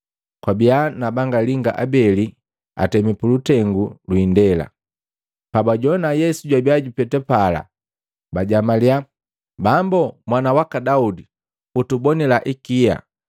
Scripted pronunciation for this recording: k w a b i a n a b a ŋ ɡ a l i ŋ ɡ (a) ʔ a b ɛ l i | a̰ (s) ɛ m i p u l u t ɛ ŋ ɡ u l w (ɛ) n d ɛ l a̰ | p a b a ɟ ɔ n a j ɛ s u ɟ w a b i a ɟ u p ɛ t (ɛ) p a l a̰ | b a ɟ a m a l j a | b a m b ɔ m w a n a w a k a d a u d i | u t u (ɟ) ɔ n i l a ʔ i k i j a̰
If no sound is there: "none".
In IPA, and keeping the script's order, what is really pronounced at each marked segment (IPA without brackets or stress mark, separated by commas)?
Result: a, t, i, ɛ, b